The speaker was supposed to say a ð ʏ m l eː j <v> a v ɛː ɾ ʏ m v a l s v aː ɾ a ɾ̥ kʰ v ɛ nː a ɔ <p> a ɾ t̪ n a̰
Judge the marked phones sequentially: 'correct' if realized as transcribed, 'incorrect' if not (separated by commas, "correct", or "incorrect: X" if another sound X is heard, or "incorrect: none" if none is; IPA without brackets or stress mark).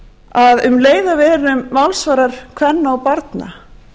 incorrect: ð, correct